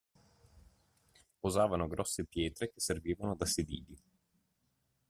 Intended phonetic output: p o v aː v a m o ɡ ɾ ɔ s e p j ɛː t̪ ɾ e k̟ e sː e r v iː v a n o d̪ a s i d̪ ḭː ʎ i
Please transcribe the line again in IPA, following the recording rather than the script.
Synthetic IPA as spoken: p o z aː v a n o ɡ ɾ ɔ sː e p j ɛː t̪ ɾ e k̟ e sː e r v iː v a n o d̪ a s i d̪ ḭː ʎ i